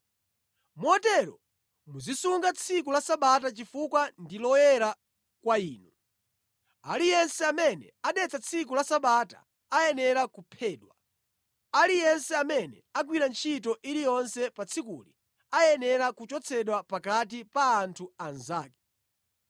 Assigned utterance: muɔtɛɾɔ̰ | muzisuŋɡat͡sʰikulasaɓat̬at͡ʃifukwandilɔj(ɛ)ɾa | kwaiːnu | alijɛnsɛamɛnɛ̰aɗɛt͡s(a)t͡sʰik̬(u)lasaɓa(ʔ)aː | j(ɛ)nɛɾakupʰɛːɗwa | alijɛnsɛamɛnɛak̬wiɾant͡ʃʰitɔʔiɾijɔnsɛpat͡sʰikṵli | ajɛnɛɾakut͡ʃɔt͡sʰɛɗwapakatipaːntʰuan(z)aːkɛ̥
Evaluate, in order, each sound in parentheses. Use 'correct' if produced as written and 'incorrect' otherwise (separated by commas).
correct, correct, correct, incorrect, correct, correct